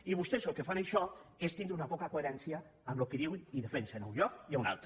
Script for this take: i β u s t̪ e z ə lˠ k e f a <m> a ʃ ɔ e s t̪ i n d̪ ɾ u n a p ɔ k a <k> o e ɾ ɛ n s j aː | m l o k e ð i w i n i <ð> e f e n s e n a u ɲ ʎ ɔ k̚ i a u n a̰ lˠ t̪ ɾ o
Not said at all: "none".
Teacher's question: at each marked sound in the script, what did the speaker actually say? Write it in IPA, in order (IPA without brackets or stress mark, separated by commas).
n, k, ð